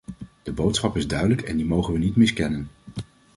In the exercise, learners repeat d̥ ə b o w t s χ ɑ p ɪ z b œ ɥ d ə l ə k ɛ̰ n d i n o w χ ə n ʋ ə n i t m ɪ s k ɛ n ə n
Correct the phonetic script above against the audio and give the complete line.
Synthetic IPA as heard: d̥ ə b o w t s χ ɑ p ɪ z d œ ɥ d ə l ə k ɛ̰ n d i m o w χ ə n ʋ ə n i t m ɪ s k ɛ n ə n